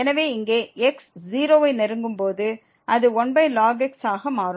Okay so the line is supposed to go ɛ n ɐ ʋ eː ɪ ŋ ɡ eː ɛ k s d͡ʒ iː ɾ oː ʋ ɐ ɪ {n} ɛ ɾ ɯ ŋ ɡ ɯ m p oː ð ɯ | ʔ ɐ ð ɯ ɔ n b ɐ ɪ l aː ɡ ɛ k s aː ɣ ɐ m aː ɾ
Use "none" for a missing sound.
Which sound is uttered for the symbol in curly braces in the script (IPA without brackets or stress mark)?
n